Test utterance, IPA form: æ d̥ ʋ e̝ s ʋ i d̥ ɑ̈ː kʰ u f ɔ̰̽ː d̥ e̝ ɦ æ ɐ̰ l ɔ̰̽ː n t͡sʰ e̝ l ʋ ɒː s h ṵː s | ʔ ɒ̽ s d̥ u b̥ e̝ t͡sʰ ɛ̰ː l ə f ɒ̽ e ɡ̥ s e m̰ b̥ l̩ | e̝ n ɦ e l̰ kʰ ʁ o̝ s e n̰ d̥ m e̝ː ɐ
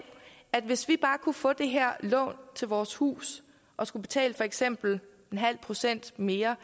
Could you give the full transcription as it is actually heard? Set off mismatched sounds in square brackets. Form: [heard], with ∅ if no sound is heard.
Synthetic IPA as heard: æ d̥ ʋ e̝ s ʋ i [b̥] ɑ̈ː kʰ u f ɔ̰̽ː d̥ e̝ ɦ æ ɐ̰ l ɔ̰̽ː n t͡sʰ e̝ l ʋ ɒː s h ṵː s | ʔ ɒ̽ s [ɡ̥] u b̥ e̝ t͡sʰ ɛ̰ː l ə f ɒ̽ e ɡ̥ s e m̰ b̥ l̩ | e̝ n ɦ [æ] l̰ [pʰ] ʁ o̝ s e n̰ d̥ m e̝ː ɐ